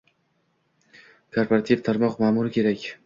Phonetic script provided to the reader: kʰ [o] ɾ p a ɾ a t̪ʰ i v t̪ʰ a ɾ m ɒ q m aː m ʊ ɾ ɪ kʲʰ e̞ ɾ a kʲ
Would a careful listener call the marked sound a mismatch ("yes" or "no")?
no